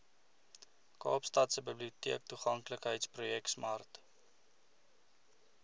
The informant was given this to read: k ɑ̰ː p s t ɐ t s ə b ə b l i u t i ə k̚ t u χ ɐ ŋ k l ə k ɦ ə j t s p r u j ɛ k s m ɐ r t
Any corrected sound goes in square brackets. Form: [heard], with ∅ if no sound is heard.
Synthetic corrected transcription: k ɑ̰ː p s t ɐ t s ə b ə b l i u t i ə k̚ t u χ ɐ ŋ k l ə k ɦ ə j t s p r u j ɛ k s m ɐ r t